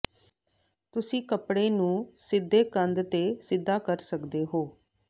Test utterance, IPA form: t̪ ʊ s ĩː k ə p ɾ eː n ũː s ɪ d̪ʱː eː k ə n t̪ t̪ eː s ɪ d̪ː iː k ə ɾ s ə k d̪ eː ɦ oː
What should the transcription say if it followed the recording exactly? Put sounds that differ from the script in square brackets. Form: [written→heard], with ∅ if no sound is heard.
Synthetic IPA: t̪ ʊ s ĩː k ə p [ɾ→ɽ] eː n ũː s ɪ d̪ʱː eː k ə n [t̪→d̪] t̪ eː s ɪ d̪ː [iː→aː] k ə ɾ s ə k d̪ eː ɦ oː